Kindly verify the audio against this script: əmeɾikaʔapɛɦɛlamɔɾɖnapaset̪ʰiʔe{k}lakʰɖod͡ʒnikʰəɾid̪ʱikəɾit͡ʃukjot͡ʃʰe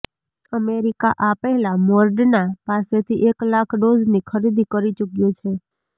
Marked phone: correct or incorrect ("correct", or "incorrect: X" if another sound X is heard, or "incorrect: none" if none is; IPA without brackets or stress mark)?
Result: correct